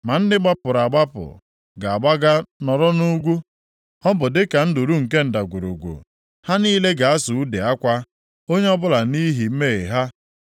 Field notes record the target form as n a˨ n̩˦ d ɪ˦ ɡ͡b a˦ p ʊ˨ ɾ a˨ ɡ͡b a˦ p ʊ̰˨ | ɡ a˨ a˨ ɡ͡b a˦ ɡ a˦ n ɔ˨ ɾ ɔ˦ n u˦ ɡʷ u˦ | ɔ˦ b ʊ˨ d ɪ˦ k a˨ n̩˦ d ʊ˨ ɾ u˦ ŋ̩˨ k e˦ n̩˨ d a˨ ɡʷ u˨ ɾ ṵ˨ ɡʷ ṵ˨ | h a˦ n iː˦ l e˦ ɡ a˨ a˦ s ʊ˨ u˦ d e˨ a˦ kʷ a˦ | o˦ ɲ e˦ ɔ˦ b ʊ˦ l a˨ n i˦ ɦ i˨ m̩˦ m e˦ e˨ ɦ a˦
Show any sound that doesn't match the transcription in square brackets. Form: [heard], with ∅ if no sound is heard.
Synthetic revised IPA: [m] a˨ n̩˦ d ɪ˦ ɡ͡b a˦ p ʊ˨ ɾ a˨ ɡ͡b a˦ p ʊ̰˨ | ɡ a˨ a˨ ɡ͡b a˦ ɡ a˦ n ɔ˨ ɾ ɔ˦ n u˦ ɡʷ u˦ | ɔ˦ b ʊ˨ d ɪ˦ k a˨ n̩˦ d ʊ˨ ɾ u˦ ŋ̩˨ k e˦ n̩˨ d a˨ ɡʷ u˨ ɾ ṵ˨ ɡʷ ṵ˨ | h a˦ n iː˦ l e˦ ɡ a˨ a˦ s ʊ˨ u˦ d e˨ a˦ kʷ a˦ | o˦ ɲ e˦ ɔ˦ b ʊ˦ l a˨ n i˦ ɦ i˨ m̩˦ m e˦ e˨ ɦ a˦

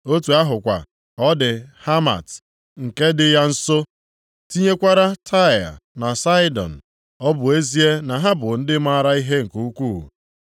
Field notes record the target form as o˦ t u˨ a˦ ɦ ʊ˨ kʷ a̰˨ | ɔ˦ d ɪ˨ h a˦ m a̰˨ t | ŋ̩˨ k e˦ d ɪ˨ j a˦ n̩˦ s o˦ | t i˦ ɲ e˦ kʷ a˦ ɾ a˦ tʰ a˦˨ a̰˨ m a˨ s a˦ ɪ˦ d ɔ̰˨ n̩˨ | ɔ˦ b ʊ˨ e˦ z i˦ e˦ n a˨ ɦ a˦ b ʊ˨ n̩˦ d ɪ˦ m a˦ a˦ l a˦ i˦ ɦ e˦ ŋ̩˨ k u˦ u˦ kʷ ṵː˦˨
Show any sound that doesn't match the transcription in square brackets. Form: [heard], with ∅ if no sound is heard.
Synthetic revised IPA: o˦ t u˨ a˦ ɦ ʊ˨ kʷ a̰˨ | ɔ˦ d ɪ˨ h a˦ m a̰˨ t | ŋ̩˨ k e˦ d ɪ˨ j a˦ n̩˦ s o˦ | t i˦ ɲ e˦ kʷ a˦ ɾ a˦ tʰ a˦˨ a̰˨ [n] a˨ s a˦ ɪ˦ d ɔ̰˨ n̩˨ | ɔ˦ b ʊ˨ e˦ z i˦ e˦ n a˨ ɦ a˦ b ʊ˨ n̩˦ d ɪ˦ m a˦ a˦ [ɾ] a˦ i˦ ɦ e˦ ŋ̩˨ k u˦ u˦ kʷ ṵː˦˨

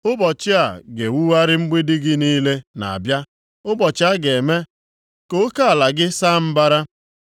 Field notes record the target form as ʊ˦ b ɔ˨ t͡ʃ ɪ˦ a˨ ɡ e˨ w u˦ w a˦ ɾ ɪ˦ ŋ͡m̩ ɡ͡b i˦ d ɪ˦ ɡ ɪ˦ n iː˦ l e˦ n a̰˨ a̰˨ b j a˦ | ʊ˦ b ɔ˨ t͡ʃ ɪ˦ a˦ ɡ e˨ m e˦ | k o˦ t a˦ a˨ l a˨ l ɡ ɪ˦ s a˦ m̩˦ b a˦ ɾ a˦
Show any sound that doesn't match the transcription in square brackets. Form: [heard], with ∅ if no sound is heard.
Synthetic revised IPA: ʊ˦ b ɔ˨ t͡ʃ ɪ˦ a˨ ɡ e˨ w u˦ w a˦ ɾ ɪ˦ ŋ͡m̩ ɡ͡b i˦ d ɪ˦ ɡ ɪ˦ n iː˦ l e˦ n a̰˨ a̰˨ b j a˦ | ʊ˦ b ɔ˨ t͡ʃ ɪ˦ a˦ ɡ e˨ m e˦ | k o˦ [k] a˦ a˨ l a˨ [∅] ɡ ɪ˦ s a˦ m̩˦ b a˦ ɾ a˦

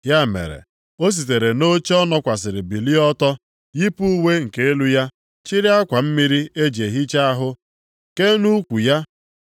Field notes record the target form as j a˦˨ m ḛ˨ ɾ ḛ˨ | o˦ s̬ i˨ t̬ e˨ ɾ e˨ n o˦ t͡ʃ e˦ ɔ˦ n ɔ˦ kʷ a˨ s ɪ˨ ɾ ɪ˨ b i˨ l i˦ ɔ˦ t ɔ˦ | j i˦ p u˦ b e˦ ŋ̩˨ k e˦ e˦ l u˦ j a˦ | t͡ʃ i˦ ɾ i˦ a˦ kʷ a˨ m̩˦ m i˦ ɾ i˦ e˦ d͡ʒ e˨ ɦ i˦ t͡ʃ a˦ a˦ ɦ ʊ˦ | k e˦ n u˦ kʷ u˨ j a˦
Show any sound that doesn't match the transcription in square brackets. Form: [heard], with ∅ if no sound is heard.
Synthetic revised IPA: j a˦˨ m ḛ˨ ɾ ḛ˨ | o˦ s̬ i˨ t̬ e˨ ɾ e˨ n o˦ t͡ʃ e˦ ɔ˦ n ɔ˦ kʷ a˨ s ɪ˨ ɾ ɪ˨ b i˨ l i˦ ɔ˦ t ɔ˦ | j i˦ p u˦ [w] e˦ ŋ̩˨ k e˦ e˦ l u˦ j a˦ | t͡ʃ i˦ ɾ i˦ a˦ kʷ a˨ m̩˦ m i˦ ɾ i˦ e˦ d͡ʒ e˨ ɦ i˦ t͡ʃ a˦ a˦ ɦ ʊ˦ | k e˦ n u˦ kʷ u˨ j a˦

